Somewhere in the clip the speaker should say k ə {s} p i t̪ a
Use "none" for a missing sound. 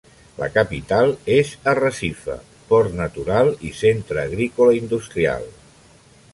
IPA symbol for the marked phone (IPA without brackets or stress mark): none